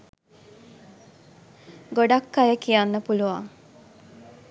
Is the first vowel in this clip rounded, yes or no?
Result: yes